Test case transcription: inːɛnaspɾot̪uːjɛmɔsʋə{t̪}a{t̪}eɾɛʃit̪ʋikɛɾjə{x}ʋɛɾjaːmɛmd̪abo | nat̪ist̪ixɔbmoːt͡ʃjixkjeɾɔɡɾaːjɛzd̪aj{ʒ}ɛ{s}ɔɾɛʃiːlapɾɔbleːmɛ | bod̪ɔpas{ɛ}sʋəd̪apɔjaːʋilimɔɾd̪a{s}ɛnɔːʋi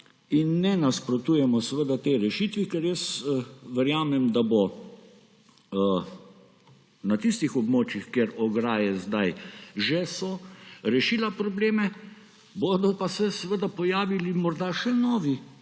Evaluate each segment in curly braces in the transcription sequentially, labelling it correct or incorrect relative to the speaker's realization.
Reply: incorrect: d̪, correct, incorrect: s, correct, correct, correct, incorrect: ʃ

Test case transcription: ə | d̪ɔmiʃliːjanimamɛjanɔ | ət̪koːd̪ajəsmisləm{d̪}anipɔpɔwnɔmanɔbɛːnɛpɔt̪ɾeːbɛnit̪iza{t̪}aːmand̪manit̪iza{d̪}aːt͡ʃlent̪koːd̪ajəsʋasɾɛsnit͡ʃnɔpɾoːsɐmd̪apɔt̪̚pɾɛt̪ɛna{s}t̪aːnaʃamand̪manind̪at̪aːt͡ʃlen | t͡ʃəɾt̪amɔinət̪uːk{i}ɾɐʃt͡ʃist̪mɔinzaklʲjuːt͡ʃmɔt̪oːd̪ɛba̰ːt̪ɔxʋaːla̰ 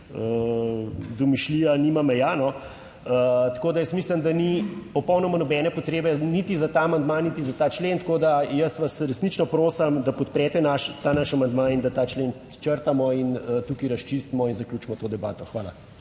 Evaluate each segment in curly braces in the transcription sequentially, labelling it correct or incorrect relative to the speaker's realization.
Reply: correct, correct, incorrect: t̪, incorrect: ʃ, correct

